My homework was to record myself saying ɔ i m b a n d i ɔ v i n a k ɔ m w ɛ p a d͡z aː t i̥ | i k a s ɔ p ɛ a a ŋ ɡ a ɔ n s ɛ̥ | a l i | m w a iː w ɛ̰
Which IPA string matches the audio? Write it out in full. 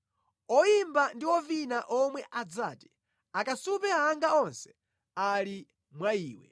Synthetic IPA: ɔ i m b a n d i ɔ v i n a ʔ ɔ m w ɛ ʔ a d͡z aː t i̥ | a k a s u p ɛ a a ŋ ɡ a ɔ n s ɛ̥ | a l i | m w a iː w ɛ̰